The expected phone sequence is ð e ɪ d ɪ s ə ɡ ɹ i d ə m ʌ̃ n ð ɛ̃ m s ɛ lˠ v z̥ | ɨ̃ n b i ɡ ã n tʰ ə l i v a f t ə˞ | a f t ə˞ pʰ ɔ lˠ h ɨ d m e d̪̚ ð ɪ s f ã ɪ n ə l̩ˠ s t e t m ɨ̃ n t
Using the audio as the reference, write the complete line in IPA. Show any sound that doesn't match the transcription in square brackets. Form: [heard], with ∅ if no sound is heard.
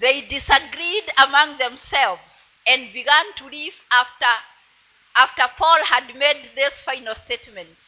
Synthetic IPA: ð e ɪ d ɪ s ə ɡ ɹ i d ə m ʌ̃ [ŋ] ð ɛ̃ m s ɛ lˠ v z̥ | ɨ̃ n b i ɡ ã n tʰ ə l i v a f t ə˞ | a f t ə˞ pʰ ɔ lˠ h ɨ d m e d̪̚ ð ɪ s f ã ɪ n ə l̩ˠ s t e t m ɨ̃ n t